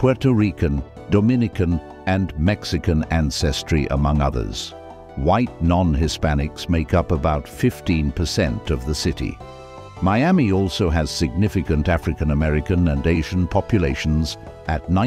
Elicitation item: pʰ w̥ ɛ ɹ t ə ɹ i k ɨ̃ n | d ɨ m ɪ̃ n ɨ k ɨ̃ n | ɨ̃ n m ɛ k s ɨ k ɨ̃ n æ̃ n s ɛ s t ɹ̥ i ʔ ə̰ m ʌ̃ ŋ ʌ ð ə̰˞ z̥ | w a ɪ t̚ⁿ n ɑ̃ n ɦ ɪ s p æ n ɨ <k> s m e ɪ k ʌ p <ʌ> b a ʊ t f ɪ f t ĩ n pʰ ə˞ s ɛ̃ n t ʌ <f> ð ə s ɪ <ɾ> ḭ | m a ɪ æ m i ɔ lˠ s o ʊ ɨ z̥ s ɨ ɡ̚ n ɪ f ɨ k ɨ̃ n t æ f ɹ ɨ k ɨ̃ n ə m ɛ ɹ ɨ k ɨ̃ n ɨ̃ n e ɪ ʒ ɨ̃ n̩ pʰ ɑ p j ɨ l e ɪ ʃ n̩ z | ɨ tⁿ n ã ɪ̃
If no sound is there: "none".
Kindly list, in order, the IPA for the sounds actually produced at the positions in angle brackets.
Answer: k, ə, v, ɾ

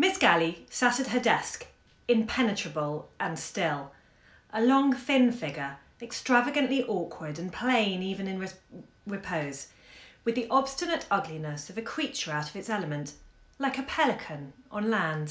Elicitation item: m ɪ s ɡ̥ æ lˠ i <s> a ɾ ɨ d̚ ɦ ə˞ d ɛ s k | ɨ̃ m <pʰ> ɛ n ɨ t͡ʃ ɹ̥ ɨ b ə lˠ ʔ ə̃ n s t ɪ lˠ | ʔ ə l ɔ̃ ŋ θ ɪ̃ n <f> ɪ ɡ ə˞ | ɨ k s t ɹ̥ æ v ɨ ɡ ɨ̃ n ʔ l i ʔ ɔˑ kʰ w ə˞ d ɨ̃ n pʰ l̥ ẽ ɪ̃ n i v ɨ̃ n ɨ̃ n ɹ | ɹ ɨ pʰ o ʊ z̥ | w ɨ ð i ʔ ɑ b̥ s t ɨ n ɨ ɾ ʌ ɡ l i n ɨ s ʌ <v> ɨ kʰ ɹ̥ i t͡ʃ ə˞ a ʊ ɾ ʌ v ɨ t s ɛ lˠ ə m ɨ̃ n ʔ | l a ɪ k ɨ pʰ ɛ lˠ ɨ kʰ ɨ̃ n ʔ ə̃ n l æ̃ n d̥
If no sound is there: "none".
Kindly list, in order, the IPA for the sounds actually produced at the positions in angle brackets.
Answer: s, pʰ, f, v

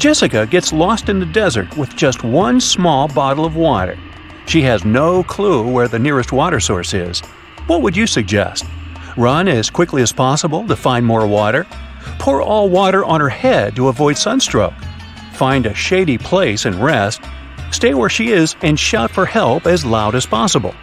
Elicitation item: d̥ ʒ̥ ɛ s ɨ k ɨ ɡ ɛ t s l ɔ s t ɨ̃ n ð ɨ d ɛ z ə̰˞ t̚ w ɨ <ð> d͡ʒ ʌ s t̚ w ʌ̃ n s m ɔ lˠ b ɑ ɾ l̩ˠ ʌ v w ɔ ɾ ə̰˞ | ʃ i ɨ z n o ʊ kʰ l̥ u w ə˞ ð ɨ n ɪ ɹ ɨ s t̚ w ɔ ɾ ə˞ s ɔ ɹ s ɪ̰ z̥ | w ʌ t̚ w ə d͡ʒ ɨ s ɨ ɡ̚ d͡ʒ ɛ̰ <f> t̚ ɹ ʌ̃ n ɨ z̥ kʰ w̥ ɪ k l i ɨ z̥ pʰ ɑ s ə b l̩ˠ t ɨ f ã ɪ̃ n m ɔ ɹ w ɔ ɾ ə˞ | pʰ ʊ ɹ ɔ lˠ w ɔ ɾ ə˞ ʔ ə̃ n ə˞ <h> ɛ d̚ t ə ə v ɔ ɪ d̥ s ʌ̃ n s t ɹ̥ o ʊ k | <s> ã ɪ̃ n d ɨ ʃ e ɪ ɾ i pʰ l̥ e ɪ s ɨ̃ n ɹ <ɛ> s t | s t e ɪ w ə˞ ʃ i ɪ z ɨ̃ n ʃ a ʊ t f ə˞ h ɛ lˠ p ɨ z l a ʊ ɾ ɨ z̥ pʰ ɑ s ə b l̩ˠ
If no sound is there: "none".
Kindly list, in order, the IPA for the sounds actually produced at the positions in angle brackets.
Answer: ð, s, h, f, ɛ

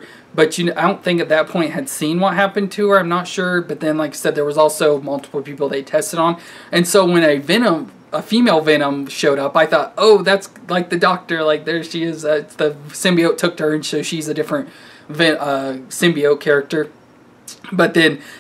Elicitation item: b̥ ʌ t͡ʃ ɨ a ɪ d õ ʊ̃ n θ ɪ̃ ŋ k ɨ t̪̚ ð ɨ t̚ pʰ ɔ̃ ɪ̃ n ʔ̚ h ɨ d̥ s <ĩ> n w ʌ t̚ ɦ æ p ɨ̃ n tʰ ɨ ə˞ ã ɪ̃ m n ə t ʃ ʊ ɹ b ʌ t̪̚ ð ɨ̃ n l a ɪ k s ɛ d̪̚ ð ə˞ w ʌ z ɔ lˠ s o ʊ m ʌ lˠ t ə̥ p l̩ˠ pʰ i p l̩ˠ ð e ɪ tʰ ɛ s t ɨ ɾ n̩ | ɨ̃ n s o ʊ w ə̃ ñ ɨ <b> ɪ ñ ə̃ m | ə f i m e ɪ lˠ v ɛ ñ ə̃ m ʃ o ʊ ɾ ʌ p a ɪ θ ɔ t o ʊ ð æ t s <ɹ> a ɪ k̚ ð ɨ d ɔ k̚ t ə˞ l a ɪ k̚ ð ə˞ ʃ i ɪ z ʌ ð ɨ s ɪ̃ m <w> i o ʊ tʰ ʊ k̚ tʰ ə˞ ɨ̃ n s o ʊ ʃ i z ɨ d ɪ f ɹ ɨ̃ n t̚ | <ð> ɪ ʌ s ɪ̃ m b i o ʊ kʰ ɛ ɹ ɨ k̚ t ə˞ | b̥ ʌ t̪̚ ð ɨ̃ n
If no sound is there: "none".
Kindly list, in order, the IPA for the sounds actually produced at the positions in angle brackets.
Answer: ĩ, v, l, b, v

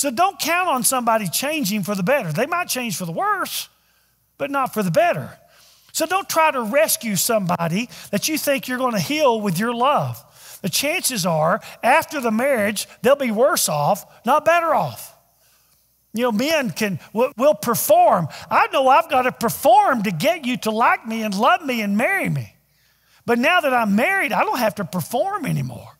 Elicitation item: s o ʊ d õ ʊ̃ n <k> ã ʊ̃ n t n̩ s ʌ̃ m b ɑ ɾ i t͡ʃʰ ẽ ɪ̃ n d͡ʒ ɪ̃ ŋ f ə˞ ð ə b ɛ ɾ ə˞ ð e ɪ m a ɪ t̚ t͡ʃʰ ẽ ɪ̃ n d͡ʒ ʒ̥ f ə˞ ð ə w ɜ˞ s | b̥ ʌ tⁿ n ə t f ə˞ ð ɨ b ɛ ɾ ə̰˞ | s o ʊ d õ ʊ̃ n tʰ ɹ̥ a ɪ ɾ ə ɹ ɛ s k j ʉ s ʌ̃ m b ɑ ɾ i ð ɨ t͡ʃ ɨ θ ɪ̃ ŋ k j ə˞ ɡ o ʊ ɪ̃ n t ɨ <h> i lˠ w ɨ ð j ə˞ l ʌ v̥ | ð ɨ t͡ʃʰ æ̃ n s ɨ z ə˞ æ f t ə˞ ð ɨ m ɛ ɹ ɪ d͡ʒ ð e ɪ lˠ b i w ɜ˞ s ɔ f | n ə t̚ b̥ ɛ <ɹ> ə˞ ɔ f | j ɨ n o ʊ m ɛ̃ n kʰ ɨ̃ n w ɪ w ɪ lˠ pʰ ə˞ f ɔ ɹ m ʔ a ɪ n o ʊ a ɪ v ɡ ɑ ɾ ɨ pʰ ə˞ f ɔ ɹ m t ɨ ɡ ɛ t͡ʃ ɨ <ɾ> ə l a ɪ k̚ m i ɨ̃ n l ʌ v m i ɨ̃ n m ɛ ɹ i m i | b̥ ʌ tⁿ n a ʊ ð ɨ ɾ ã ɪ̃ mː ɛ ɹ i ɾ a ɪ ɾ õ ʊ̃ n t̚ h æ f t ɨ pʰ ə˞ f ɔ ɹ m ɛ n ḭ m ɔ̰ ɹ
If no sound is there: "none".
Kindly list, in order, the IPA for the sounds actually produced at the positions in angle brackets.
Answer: kʰ, h, ɾ, ɾ

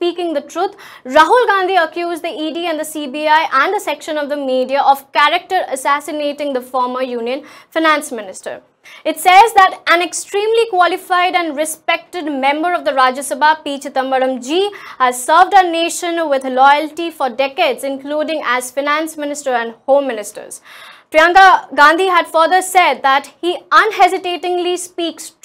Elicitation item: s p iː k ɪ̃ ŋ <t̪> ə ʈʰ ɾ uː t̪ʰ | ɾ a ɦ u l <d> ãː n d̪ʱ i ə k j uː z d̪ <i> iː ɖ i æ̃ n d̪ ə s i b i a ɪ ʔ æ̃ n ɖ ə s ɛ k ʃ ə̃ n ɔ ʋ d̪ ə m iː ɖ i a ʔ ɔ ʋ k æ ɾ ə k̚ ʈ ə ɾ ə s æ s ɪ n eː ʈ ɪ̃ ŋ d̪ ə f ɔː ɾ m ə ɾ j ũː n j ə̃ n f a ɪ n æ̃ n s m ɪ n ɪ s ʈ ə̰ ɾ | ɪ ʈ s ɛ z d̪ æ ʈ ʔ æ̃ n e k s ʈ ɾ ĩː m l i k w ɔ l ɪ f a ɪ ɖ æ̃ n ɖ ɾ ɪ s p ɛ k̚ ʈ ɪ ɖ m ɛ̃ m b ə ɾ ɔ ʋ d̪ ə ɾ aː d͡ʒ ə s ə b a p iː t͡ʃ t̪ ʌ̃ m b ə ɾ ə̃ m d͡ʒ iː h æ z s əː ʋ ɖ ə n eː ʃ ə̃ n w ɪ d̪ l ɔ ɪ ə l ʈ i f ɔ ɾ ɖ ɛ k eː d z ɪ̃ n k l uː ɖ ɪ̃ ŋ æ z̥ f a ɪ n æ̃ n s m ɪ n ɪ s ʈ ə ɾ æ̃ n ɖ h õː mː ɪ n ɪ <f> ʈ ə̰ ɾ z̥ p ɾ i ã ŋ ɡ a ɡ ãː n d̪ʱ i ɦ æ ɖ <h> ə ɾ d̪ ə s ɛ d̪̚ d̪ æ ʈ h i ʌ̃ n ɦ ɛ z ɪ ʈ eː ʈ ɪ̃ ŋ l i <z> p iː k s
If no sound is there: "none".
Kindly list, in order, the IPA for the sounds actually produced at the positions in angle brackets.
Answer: d̪, ɡ, i, s, f, s

